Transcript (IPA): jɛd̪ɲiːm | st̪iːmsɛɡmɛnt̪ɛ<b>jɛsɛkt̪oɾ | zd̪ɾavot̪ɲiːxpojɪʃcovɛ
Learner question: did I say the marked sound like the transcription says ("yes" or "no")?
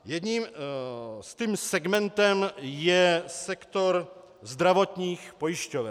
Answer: no